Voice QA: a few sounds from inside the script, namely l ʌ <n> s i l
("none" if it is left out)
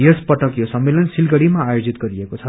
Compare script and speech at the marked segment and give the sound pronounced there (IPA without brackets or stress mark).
n